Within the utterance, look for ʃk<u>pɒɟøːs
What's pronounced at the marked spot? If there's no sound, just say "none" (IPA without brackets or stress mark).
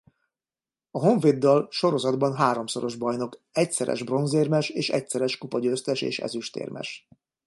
u